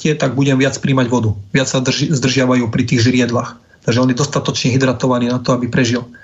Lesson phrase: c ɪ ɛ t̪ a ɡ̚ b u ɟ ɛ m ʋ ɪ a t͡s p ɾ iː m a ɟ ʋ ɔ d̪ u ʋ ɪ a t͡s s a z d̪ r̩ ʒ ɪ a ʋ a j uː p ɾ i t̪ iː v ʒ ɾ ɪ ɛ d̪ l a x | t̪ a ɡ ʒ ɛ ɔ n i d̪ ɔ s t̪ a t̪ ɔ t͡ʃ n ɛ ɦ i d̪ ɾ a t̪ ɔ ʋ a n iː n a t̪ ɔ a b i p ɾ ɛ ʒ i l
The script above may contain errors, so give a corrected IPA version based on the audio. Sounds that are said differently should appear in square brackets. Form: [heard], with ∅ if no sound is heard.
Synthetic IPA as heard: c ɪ ɛ t̪ a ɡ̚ b u ɟ ɛ m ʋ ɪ a t͡s p ɾ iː m a ɟ ʋ ɔ d̪ u ʋ ɪ a t͡s s a z d̪ r̩ ʒ ɪ a ʋ a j uː p ɾ i t̪ iː [ɣ] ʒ ɾ ɪ ɛ d̪ l a x | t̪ a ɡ ʒ ɛ ɔ n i d̪ ɔ s t̪ a t̪ ɔ t͡ʃ [ɲ] ɛ ɦ i d̪ ɾ a t̪ ɔ ʋ a n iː n a t̪ ɔ a b i p ɾ ɛ ʒ i l